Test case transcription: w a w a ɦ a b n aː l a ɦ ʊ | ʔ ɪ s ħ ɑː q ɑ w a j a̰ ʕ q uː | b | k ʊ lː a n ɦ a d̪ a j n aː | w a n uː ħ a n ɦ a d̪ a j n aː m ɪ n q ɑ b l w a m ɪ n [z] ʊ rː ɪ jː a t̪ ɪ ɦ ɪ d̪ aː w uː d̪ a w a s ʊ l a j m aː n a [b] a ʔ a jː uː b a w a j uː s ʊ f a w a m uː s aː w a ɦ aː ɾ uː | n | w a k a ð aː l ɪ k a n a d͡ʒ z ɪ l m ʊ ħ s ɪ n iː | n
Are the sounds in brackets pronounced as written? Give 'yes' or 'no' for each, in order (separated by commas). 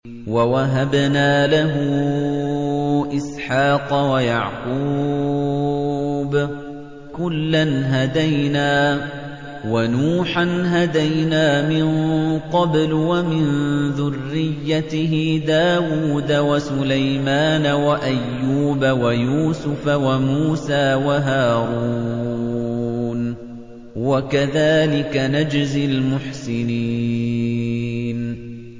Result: no, no